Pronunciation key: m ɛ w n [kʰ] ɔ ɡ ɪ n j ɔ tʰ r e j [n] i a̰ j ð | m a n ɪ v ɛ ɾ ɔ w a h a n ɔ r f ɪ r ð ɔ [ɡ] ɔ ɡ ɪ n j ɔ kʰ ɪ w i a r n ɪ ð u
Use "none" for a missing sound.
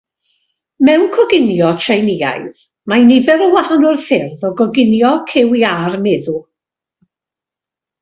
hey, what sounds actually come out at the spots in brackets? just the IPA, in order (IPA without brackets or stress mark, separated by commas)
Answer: kʰ, n, ɡ